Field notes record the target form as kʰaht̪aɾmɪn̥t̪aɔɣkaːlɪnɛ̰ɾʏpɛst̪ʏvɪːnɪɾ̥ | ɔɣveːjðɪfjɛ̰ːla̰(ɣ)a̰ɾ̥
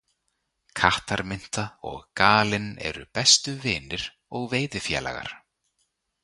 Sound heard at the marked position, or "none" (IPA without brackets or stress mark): ɣ